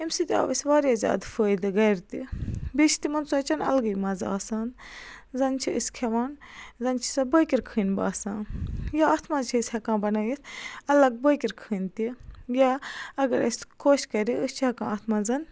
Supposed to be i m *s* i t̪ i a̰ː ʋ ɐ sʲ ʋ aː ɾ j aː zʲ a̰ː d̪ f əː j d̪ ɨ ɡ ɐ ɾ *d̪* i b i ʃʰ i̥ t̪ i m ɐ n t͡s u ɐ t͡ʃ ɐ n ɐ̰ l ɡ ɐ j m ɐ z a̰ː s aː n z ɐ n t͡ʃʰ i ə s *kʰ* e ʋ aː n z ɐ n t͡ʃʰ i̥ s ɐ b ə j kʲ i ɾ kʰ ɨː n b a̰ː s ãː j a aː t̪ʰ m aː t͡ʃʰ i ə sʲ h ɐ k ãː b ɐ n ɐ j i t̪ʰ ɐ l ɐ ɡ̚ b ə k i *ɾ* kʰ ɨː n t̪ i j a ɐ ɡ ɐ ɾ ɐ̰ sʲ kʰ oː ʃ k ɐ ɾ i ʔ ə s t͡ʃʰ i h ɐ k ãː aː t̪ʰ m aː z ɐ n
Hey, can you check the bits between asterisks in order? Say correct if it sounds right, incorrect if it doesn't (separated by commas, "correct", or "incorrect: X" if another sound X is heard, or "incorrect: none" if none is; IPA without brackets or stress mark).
correct, incorrect: t̪, correct, correct